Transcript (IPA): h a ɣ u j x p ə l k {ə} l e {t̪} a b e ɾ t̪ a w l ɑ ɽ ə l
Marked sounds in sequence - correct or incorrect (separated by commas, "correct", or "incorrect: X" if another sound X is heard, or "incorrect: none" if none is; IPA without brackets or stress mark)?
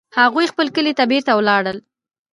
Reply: correct, correct